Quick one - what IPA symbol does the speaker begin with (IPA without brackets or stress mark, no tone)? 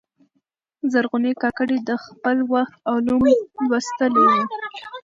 z